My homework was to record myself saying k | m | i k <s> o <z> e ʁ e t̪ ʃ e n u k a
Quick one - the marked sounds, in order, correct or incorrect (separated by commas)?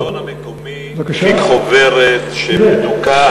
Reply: incorrect, incorrect